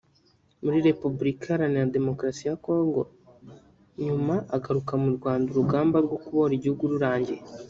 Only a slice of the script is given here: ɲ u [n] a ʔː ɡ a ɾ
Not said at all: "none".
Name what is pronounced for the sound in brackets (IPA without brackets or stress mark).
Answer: m